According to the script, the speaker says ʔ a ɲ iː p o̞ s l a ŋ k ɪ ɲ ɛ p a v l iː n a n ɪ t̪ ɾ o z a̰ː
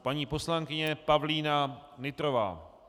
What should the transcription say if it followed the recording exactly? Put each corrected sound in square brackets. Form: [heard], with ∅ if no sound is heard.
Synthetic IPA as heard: [p] a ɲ iː p o̞ s l a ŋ k ɪ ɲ ɛ p a v l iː n a n ɪ t̪ ɾ o [v] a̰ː

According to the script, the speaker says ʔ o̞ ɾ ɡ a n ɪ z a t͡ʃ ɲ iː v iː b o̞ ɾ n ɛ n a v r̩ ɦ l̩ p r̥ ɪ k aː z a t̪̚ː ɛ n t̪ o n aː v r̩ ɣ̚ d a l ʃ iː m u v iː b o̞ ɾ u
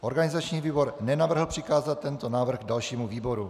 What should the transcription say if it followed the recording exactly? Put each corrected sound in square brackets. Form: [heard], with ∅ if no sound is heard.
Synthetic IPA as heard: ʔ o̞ ɾ ɡ a n ɪ z a t͡ʃ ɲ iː v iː b o̞ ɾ n ɛ n a v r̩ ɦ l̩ p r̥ ɪ k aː z a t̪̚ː ɛ n t̪ o n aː v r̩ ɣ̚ d a l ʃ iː m u v iː b o̞ ɾ u

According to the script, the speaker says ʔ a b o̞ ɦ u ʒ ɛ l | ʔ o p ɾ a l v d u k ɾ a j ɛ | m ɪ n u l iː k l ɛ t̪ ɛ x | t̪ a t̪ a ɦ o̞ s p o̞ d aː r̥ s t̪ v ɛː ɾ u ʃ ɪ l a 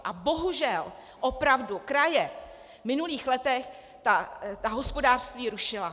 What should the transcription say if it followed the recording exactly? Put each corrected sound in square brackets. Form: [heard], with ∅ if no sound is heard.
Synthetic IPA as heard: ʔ a b o̞ ɦ u ʒ ɛ l | ʔ o p ɾ a [∅] v d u k ɾ a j ɛ | m ɪ n u l iː [x] l ɛ t̪ ɛ x | t̪ a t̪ a ɦ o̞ s p o̞ d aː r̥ s t̪ v [iː] ɾ u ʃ ɪ l a

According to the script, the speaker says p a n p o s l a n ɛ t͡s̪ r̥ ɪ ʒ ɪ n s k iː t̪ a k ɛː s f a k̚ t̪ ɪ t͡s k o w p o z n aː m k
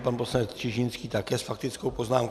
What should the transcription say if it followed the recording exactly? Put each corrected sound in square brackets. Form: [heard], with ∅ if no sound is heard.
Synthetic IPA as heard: p a n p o s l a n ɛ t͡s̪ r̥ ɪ ʒ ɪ n s k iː t̪ a k ɛː s f a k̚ t̪ ɪ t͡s k o w p o z n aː m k

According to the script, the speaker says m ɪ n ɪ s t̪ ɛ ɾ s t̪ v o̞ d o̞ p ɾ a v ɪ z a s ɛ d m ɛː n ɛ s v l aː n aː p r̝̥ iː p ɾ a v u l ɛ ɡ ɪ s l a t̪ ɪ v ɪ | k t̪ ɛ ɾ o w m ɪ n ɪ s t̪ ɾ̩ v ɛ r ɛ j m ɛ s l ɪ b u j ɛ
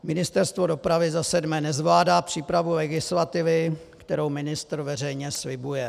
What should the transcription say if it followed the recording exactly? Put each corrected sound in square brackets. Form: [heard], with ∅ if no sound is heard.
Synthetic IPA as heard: m ɪ n ɪ s t̪ ɛ ɾ s t̪ v o̞ d o̞ p ɾ a v ɪ z a s ɛ d m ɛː n ɛ [z] v l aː [d] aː p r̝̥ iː p ɾ a v u l ɛ ɡ ɪ s l a t̪ ɪ v ɪ | k t̪ ɛ ɾ o w m ɪ n ɪ s t̪ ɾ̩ v ɛ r ɛ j [ɲ] ɛ s l ɪ b u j ɛ

